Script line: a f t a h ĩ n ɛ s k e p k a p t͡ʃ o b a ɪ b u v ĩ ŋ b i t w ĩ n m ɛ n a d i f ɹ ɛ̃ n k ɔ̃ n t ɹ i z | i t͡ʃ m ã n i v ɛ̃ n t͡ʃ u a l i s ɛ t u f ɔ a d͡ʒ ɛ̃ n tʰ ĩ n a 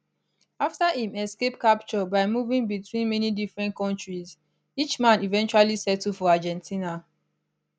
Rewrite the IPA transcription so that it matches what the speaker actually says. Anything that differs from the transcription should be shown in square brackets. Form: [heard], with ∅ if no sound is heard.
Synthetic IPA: a f t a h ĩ [m] ɛ s k e p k a p t͡ʃ [ɔ] b a ɪ [m] u v ĩ ŋ b i t w ĩ n m ɛ n [i] d i f ɹ ɛ̃ n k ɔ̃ n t ɹ i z | i t͡ʃ m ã n i v ɛ̃ n t͡ʃ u a l i s ɛ t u f ɔ a d͡ʒ ɛ̃ n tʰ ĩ n a